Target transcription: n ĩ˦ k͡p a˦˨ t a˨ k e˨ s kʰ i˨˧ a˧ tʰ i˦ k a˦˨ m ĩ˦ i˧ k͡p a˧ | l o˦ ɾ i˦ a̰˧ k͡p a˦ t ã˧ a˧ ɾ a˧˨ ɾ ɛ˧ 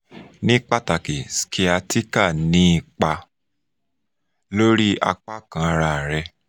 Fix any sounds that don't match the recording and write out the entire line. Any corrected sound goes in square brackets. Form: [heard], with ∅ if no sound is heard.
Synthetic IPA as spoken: n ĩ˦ k͡p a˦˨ t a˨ k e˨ s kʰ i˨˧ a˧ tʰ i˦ k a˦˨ [n] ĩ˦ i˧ k͡p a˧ | l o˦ ɾ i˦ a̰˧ k͡p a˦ [k] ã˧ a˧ ɾ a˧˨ ɾ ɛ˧